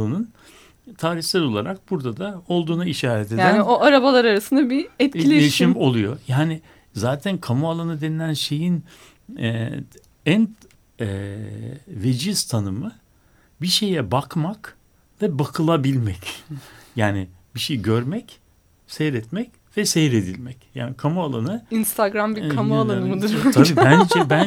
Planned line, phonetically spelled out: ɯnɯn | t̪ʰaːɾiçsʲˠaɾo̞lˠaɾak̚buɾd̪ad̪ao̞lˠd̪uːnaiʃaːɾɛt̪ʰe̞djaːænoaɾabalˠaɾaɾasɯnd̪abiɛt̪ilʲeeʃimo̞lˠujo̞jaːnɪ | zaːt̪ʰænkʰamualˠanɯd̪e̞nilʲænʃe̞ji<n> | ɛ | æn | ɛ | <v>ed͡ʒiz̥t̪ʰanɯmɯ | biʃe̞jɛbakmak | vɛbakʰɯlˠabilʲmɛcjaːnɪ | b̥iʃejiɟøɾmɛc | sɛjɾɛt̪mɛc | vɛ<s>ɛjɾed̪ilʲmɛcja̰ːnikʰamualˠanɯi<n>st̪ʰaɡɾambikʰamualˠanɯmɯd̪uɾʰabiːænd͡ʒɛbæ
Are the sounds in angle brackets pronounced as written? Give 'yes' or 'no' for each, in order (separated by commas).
yes, yes, yes, yes